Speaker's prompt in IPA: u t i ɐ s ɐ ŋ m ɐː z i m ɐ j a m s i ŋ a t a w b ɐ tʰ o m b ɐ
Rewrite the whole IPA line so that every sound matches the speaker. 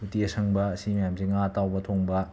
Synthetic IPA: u t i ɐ s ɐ ŋ b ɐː s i m ɐ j a m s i ŋ a t a w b ɐ tʰ o ŋ b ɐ